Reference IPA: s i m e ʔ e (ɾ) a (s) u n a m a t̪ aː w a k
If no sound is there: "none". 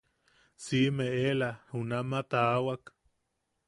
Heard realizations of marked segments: l, h

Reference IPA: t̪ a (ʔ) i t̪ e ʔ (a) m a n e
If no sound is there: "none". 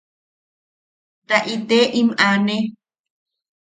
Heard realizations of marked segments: ʔ, i

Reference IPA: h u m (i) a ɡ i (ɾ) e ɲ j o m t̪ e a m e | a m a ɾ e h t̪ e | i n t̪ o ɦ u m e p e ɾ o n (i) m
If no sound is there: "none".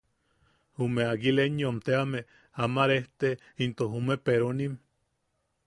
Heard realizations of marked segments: e, l, i

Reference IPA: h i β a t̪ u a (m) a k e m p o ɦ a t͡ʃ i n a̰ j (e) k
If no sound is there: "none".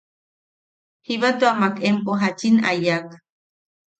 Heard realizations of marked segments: m, a

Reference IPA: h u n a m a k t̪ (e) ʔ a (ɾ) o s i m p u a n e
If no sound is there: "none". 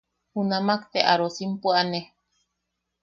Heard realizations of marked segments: e, ɾ

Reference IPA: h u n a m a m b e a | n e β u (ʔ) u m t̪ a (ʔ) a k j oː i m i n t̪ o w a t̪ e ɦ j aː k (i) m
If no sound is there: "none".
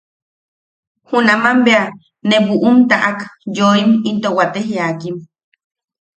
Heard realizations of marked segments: ʔ, ʔ, i

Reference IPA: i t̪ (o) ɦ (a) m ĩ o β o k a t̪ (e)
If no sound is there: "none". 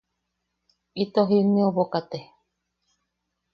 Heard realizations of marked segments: o, i, e

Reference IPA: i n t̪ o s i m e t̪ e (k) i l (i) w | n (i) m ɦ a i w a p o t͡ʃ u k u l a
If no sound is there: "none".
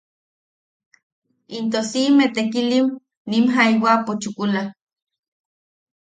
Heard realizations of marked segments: k, i, i

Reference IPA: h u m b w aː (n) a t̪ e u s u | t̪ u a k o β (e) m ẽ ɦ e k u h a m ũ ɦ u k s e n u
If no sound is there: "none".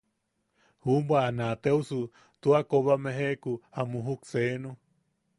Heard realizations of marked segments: n, a

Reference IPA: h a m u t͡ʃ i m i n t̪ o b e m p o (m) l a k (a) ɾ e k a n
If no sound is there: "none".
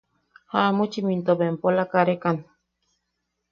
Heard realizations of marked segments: none, a

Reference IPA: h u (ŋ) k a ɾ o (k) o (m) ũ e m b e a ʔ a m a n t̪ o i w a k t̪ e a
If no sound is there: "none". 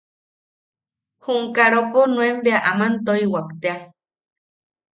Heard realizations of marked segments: ŋ, p, n

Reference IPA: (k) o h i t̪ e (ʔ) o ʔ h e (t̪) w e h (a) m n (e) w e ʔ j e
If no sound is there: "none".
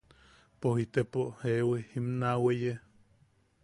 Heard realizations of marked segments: p, p, none, i, a

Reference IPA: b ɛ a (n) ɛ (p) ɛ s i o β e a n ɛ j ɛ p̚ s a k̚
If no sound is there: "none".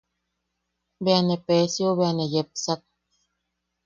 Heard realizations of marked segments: n, p

